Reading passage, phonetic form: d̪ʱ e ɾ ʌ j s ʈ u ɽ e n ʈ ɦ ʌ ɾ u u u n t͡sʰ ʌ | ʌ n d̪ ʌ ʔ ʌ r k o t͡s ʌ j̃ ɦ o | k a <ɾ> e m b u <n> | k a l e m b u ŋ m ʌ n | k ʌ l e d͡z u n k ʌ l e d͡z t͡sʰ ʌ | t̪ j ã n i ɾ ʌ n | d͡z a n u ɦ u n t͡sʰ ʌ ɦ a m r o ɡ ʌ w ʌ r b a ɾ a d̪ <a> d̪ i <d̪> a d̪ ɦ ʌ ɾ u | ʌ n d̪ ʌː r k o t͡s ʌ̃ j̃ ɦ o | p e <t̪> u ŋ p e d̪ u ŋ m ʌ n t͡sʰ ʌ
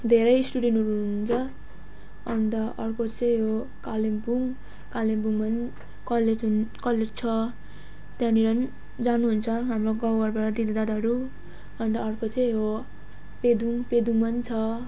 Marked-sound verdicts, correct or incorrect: incorrect: l, incorrect: ŋ, incorrect: i, correct, incorrect: d̪

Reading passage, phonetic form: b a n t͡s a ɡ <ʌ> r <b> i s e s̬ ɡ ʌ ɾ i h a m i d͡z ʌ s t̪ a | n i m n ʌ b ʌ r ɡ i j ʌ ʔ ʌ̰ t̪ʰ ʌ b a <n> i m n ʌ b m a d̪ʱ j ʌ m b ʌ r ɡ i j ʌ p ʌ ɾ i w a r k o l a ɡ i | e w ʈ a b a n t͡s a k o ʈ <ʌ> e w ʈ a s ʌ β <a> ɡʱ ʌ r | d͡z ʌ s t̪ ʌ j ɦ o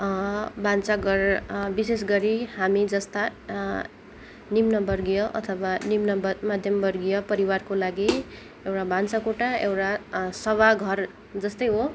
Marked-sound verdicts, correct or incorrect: correct, correct, correct, incorrect: a, correct

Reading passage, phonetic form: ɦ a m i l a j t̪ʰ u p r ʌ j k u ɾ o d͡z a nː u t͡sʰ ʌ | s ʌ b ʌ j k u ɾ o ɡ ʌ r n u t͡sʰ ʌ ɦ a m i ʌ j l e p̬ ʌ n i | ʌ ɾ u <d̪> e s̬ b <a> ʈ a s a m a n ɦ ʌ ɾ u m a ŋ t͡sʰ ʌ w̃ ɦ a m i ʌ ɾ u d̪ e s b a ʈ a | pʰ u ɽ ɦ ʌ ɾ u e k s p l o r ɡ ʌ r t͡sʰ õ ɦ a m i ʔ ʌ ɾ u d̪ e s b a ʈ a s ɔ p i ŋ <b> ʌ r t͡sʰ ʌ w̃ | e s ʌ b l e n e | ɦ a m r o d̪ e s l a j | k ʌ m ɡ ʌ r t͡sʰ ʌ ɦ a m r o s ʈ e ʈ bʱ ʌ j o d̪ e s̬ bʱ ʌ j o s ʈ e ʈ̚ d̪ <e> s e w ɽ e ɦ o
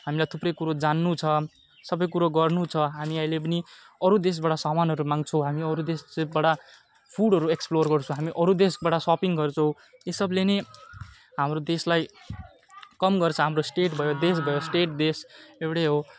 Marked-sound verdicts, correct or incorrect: correct, correct, incorrect: ɡ, correct

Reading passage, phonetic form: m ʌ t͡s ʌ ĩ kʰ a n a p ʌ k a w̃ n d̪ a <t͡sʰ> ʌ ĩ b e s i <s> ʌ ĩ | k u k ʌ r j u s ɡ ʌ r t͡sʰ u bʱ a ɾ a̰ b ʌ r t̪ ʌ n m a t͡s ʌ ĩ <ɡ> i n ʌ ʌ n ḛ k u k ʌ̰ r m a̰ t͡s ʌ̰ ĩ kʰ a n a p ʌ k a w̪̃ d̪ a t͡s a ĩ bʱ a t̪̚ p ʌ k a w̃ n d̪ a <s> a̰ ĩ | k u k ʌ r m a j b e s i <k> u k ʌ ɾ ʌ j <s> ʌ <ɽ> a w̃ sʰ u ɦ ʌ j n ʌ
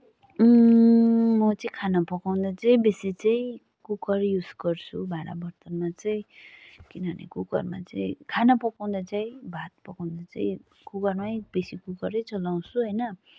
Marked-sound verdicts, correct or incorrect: incorrect: t͡s, incorrect: t͡s, incorrect: k, incorrect: t͡s, correct, incorrect: t͡s, incorrect: l

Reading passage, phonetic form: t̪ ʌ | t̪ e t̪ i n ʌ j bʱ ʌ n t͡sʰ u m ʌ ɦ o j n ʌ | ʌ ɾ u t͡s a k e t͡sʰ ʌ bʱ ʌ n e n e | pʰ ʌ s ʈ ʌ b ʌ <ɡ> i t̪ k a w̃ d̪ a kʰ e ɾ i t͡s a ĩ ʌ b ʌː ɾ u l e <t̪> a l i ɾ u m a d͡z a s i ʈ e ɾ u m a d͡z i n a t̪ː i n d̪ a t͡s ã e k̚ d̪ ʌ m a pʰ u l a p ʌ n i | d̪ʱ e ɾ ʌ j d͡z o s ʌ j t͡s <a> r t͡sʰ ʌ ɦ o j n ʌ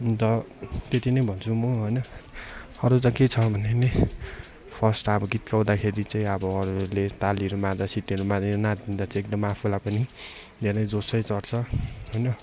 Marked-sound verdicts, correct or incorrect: correct, correct, incorrect: ʌ

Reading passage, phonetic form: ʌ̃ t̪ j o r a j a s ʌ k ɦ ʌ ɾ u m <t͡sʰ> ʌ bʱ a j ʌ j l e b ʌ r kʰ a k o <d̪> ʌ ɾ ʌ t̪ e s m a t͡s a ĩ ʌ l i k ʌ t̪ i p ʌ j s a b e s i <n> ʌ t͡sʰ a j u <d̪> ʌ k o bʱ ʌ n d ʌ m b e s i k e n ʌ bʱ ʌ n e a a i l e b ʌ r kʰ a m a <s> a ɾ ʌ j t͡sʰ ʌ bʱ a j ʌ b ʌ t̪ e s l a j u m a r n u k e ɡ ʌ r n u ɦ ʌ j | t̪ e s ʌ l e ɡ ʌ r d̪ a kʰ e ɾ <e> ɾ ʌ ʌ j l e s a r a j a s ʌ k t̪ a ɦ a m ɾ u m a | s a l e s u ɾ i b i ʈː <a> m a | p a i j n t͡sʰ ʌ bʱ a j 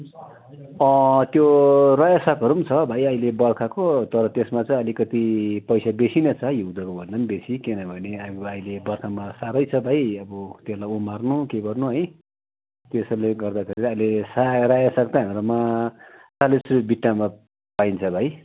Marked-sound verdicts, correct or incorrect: correct, incorrect: t̪, correct, correct, correct, incorrect: i, correct

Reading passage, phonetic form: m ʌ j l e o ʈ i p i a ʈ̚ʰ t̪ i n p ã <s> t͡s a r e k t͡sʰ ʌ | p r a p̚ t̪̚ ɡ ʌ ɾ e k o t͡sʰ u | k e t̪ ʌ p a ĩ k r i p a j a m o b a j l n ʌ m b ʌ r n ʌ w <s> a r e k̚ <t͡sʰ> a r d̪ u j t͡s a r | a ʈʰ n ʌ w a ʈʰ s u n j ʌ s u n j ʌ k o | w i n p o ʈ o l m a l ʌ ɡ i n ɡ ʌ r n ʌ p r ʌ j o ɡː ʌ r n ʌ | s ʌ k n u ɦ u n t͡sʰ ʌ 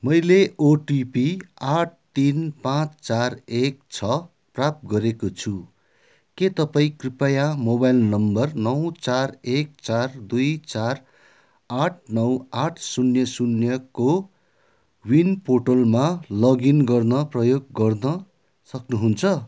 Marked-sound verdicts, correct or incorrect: incorrect: t͡s, incorrect: t͡s, incorrect: t͡s

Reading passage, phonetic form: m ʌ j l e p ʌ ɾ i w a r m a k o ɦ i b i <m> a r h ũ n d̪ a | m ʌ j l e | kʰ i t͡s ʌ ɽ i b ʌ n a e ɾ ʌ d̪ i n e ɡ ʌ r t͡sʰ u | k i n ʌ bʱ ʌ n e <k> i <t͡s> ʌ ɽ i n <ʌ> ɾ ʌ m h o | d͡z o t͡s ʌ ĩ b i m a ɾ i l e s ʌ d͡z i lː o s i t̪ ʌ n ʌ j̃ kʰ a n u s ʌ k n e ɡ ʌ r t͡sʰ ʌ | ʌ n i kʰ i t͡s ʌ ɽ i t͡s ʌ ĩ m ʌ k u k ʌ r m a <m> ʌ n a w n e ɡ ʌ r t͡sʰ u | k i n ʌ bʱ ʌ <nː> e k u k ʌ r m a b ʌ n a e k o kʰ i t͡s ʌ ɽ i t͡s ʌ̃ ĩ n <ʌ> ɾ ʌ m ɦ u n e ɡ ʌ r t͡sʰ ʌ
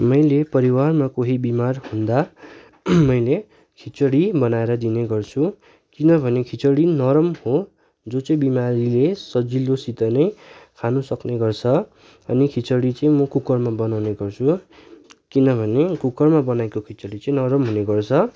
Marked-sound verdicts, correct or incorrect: correct, incorrect: kʰ, correct, correct, incorrect: b, incorrect: n, correct

